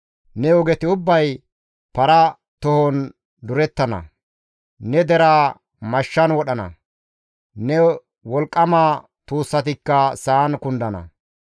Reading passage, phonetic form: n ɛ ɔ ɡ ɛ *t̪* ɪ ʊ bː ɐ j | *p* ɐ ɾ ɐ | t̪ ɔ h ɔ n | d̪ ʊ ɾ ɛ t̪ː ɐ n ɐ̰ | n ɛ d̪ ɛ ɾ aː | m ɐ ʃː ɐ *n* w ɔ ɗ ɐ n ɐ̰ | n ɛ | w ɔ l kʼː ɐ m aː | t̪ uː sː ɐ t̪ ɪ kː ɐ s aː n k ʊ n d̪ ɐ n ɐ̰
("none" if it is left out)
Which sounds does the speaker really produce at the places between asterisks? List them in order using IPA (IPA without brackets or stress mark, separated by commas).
t̪, p, n